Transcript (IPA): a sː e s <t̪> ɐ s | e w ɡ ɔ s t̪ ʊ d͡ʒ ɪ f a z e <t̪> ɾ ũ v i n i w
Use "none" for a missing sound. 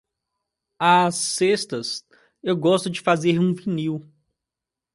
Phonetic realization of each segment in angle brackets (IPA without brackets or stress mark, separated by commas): t̪, none